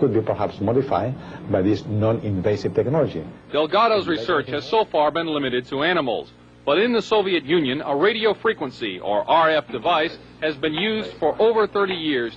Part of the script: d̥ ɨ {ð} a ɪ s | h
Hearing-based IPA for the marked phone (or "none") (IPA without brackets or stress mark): v